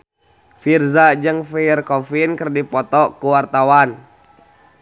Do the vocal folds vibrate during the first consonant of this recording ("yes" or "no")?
no